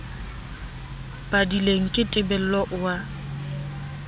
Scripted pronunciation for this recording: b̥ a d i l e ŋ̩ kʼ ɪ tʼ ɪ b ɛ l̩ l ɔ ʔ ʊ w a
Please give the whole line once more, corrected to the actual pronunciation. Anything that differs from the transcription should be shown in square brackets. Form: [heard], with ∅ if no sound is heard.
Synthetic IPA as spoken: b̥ a d i l e ŋ̩ kʼ ɪ tʼ ɪ b ɛ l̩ l ɔ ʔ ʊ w a